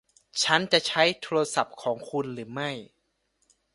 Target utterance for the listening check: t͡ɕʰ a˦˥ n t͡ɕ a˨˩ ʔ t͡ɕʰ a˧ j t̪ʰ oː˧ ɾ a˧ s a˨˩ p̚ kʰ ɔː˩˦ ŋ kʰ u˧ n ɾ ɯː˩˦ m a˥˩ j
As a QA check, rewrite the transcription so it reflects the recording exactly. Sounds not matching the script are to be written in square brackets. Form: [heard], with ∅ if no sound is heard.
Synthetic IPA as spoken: t͡ɕʰ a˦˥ n t͡ɕ a˨˩ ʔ t͡ɕʰ [a˦˥] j t̪ʰ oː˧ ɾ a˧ s a˨˩ p̚ kʰ ɔː˩˦ ŋ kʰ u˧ n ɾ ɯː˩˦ m a˥˩ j